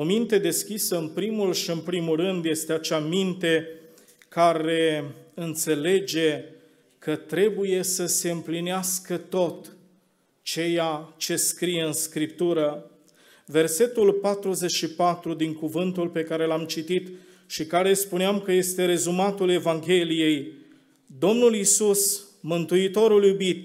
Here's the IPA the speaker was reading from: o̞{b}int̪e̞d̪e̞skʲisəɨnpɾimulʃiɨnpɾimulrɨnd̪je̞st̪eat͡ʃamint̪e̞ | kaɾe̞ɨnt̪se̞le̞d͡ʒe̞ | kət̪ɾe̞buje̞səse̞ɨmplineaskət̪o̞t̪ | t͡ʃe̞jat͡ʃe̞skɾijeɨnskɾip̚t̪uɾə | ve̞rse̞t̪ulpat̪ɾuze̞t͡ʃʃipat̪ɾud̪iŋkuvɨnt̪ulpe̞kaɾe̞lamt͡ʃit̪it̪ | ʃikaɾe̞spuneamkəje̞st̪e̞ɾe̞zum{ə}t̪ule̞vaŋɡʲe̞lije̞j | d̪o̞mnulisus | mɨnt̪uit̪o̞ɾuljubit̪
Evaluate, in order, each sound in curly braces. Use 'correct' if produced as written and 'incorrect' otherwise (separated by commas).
incorrect, incorrect